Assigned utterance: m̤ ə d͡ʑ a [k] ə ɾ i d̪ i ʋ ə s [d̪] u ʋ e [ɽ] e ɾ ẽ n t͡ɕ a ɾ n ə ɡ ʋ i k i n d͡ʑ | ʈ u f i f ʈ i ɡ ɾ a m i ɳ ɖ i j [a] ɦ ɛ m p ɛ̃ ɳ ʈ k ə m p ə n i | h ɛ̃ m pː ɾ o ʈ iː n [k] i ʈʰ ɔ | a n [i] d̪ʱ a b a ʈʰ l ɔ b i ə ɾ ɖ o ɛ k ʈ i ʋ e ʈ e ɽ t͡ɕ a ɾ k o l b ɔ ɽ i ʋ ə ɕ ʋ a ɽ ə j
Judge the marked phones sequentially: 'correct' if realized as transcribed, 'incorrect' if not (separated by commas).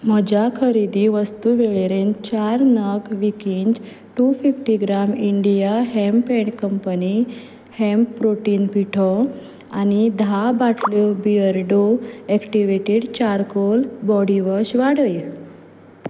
incorrect, incorrect, incorrect, correct, incorrect, correct